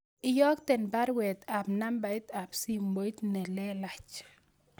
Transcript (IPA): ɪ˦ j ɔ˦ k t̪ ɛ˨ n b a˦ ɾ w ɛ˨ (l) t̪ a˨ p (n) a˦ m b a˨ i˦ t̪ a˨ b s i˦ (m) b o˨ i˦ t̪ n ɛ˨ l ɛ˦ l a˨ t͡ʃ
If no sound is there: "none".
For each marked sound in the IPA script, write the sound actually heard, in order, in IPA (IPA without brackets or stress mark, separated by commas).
none, n, m